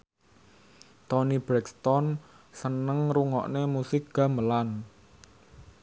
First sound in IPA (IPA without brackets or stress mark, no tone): t̪